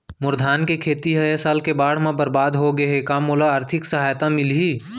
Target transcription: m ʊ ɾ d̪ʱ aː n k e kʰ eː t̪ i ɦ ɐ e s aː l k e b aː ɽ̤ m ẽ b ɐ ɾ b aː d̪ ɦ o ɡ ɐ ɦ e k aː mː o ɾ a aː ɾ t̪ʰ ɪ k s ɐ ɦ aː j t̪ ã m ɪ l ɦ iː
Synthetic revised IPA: m ʊ ɾ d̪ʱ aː n k e kʰ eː t̪ i ɦ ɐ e s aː l k e b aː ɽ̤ m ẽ b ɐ ɾ b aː d̪ ɦ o ɡ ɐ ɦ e k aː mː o l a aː ɾ t̪ʰ ɪ k s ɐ ɦ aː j t̪ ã m ɪ l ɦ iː